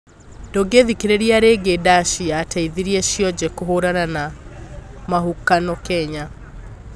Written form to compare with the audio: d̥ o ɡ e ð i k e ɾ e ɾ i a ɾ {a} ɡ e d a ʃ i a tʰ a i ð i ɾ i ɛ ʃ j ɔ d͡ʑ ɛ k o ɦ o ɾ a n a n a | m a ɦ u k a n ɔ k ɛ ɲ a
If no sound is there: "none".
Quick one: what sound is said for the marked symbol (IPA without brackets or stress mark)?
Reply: e